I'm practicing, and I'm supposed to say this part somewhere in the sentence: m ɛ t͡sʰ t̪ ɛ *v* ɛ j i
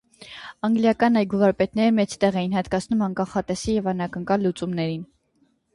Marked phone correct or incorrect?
incorrect: ʁ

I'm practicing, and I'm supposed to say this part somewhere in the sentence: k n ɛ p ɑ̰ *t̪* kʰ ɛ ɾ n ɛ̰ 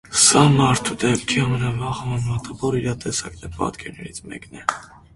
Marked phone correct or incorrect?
correct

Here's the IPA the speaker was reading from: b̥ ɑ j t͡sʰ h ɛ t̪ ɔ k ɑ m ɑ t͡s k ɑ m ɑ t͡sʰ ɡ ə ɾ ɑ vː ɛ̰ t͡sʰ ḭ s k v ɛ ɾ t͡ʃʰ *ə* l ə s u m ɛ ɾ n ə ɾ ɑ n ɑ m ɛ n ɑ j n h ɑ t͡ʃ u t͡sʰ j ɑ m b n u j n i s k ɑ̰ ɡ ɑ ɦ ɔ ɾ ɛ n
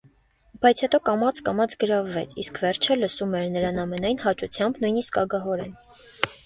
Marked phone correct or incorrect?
correct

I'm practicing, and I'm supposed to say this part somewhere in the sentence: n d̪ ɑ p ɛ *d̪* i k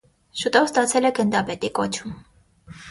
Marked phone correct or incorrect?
incorrect: t̪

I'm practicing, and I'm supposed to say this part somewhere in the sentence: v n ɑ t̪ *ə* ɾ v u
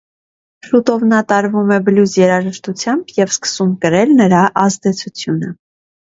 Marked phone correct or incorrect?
incorrect: ɑ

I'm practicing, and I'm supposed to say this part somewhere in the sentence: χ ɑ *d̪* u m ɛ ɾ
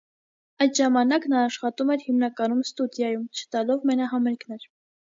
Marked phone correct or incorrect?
incorrect: t̪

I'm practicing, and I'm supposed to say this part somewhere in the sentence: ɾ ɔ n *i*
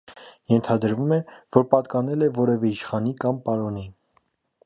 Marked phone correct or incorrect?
correct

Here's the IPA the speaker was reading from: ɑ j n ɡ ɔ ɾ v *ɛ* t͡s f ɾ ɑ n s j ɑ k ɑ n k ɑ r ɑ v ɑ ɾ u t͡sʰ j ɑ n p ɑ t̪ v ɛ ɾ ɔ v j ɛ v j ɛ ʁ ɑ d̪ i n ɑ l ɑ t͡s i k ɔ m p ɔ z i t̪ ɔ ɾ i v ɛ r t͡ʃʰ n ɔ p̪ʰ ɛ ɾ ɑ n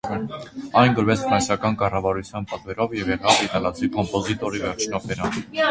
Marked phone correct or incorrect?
correct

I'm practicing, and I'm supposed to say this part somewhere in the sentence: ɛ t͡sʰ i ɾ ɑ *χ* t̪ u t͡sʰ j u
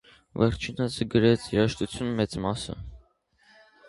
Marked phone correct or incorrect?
incorrect: ʃ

